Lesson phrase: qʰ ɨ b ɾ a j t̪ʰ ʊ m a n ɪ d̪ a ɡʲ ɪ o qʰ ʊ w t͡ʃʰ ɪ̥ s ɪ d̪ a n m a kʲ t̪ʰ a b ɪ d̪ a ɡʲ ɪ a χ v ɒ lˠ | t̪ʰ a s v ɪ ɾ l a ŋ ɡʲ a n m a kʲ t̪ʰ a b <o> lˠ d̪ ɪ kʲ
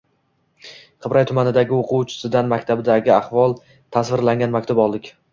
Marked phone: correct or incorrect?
incorrect: ɒ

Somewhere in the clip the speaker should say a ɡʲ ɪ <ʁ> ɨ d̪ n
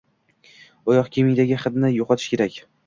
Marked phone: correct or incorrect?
incorrect: χ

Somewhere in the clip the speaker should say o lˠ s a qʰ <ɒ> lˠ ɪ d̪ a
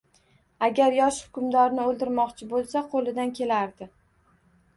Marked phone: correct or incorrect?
incorrect: o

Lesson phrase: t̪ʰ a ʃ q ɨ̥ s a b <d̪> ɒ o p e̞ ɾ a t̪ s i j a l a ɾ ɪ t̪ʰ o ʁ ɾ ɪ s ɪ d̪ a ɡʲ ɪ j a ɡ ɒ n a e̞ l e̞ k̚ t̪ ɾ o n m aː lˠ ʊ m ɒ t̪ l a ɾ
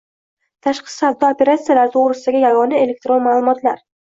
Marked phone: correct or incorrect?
correct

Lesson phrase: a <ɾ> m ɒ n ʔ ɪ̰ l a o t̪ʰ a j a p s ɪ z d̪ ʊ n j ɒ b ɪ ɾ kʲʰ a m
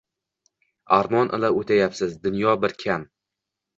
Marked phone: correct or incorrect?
correct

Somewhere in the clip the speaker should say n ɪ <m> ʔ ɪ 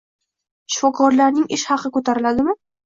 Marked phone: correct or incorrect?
incorrect: ŋ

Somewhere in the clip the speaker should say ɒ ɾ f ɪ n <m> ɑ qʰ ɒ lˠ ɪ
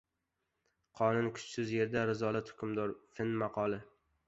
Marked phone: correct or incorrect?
correct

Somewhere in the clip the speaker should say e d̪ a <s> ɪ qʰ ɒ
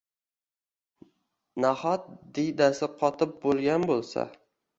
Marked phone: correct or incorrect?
correct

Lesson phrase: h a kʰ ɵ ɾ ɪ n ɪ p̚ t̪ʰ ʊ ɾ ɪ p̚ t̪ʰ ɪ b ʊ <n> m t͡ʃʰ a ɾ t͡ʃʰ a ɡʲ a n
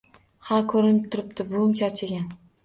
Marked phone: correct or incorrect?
incorrect: none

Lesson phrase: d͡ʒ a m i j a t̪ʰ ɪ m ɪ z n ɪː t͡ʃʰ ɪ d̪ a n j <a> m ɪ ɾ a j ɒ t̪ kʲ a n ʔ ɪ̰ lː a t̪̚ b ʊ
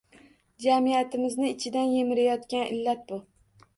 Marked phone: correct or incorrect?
incorrect: e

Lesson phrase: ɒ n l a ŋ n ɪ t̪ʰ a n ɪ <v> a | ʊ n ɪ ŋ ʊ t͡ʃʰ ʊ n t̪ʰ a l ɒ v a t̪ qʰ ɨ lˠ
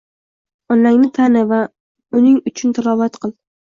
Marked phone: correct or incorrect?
correct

